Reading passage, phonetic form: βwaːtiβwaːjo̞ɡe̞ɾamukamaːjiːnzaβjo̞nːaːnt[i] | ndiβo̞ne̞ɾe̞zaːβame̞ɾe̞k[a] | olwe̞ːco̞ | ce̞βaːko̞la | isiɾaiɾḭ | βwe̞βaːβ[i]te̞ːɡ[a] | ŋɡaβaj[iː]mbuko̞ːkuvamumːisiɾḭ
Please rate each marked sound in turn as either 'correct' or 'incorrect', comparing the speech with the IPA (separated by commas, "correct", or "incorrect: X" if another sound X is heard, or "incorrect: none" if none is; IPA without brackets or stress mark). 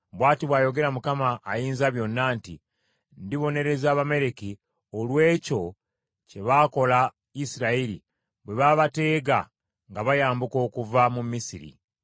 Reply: correct, incorrect: i, incorrect: a, correct, incorrect: aː